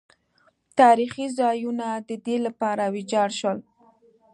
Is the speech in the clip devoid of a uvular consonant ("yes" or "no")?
yes